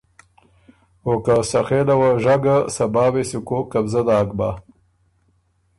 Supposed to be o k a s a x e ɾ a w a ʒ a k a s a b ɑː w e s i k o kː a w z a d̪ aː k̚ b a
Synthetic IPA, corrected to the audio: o k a s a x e l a w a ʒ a ɡ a s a b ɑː w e s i k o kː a b z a d̪ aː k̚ b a